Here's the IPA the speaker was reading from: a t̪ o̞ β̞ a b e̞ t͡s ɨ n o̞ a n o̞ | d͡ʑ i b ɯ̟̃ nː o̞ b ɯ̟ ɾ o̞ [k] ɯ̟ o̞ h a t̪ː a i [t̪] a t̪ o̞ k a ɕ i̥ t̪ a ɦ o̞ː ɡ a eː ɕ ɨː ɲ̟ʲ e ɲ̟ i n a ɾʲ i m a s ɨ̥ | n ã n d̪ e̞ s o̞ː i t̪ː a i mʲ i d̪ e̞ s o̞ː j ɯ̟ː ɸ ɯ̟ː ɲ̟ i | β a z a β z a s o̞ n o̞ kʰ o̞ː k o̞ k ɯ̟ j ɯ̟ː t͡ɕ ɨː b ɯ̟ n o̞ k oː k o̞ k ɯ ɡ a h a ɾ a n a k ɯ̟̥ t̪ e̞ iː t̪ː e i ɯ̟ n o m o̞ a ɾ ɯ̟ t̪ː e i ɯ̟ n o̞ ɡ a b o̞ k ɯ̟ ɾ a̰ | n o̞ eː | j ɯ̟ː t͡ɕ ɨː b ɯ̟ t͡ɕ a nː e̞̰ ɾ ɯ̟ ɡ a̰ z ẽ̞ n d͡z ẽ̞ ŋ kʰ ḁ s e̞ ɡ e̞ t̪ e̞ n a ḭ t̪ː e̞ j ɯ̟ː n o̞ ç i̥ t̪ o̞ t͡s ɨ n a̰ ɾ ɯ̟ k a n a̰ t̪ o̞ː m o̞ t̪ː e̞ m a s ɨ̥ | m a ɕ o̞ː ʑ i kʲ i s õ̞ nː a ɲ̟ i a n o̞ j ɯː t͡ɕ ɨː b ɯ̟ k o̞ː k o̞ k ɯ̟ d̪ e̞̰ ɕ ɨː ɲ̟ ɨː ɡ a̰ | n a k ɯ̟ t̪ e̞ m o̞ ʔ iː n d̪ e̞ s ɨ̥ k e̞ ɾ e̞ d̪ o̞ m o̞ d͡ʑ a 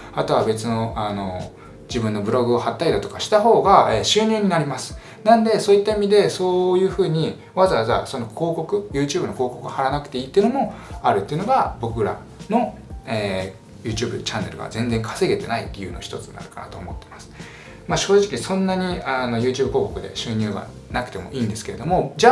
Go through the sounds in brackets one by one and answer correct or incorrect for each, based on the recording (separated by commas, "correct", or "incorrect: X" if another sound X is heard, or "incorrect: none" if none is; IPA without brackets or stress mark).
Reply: incorrect: ɡ, incorrect: d̪